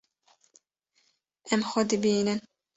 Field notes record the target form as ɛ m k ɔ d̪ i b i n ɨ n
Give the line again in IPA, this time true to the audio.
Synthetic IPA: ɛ m x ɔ d̪ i b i n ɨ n